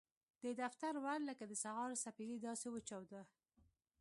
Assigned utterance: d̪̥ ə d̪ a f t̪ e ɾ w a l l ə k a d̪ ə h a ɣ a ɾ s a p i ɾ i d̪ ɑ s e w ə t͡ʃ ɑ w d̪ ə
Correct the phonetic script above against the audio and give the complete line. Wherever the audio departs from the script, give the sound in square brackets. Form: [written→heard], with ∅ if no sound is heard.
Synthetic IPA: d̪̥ ə d̪ a f t̪ [e→a] ɾ w a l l ə k a d̪ ə [h→s] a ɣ [a→ɑ] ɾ s a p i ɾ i d̪ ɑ s e w ə t͡ʃ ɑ w d̪ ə

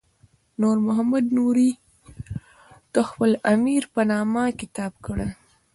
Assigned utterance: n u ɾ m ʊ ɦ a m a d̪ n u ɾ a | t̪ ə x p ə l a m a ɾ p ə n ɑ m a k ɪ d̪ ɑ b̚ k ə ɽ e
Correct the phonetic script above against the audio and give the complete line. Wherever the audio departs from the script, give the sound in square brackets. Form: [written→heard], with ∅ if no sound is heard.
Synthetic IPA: n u ɾ m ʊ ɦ a m a d̪ n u ɾ [a→i] | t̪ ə x p ə l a m [a→i] ɾ p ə n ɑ m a k ɪ [d̪→t̪] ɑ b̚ k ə ɽ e

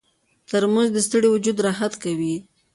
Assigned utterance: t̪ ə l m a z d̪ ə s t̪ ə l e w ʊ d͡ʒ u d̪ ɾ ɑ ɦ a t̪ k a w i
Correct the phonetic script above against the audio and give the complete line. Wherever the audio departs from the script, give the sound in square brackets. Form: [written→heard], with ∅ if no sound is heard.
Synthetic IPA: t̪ ə [l→ɾ] m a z d̪ ə s t̪ ə [l→ɽ] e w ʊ d͡ʒ u d̪ ɾ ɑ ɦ a t̪ k a w i

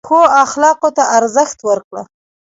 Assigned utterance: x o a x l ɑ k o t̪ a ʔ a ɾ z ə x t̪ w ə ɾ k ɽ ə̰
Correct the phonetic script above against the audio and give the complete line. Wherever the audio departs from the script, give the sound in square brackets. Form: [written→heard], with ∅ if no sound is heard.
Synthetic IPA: x o a x l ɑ [k→q] o t̪ a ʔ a ɾ z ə x t̪ w ə ɾ k ɽ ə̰

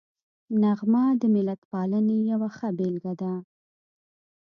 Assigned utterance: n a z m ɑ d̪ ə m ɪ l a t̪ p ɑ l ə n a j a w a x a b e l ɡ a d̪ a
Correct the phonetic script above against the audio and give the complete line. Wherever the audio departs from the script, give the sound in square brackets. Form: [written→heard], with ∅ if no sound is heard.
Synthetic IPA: n a [z→ɣ] m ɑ d̪ ə m ɪ l a t̪ p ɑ l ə n [a→e] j a w a x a b e l ɡ a d̪ a

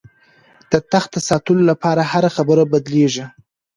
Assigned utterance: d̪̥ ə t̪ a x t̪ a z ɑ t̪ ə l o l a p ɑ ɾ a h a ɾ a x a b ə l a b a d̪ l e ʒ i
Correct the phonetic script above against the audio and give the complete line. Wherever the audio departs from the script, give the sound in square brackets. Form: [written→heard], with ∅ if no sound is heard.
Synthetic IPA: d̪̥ ə t̪ a x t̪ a [z→s] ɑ t̪ ə l o l a p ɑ ɾ a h a ɾ a x a b ə [l→ɾ] a b a d̪ l e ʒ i

